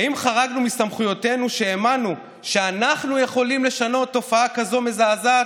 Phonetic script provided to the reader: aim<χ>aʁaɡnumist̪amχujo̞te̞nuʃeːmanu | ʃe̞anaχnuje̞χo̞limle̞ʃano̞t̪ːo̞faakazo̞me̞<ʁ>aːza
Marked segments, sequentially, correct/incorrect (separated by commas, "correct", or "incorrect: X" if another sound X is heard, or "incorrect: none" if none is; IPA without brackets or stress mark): correct, incorrect: z